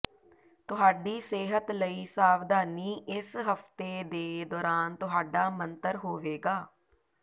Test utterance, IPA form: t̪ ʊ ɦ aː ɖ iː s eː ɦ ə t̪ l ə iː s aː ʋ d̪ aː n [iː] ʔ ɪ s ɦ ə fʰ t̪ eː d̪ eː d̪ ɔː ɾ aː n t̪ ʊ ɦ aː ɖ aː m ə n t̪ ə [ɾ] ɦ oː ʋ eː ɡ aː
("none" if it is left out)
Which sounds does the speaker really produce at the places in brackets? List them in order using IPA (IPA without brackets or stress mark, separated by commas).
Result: iː, ɾ